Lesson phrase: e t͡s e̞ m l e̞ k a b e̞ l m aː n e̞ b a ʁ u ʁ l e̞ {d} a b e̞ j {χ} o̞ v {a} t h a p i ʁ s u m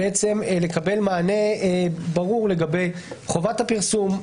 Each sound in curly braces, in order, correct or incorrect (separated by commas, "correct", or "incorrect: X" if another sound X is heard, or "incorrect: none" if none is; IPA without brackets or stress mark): incorrect: ɡ, correct, correct